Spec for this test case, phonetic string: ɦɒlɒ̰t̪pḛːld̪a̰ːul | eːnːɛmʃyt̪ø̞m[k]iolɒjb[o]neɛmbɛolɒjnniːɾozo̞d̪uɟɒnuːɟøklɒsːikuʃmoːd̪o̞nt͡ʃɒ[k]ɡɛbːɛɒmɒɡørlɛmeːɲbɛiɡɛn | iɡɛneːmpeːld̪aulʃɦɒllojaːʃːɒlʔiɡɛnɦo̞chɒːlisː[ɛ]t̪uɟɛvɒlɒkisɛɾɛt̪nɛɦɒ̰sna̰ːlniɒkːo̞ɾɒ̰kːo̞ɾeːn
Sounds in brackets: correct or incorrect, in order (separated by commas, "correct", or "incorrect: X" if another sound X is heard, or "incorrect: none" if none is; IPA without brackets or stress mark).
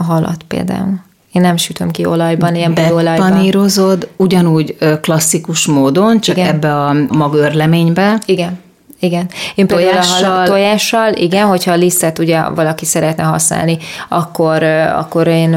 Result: correct, incorrect: ɒ, correct, correct